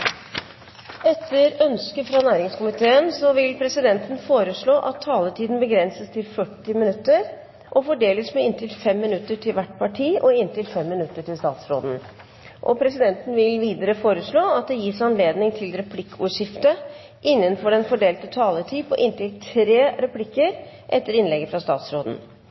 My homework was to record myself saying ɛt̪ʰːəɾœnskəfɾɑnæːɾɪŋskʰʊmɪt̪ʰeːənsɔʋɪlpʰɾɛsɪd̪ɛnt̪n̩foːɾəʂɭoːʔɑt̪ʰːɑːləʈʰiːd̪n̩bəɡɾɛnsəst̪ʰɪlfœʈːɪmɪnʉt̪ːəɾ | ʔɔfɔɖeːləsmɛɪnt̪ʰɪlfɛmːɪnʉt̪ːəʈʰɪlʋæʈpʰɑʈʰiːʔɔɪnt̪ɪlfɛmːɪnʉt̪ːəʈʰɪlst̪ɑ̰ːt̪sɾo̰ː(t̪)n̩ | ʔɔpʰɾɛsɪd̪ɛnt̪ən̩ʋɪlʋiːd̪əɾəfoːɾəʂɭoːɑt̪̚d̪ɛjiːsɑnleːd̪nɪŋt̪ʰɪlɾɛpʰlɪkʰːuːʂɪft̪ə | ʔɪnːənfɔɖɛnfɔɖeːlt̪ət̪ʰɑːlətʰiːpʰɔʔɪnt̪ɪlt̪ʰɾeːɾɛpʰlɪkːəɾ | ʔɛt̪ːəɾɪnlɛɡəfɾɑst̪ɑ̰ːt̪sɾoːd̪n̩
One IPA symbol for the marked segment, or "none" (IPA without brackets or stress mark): d̪